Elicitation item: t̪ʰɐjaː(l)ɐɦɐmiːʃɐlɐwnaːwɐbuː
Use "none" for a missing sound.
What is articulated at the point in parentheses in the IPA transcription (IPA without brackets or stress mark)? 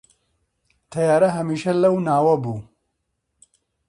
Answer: ɾ